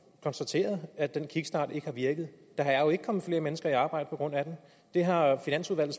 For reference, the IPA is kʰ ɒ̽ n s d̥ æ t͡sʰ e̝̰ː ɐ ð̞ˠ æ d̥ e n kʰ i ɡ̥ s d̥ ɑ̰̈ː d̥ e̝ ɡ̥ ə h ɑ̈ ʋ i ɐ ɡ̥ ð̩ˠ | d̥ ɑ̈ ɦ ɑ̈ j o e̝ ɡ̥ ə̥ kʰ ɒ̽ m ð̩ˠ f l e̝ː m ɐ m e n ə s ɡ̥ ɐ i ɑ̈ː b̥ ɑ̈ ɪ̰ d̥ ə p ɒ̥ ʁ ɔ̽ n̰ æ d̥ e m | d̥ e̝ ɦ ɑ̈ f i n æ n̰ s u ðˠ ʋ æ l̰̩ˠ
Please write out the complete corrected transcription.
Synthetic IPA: kʰ ɒ̽ n s d̥ æ t͡sʰ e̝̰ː ɐ ð̞ˠ æ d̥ e n kʰ i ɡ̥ s d̥ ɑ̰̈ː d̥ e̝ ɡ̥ ə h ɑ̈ ʋ i ɐ ɡ̥ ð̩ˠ | d̥ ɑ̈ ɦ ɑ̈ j o e̝ ɡ̥ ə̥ kʰ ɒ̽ m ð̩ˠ f l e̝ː ɐ m e n ə s ɡ̥ ɐ i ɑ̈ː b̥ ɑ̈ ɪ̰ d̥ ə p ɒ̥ ʁ ɔ̽ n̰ æ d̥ e m | d̥ e̝ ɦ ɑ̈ f i n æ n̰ s u ðˠ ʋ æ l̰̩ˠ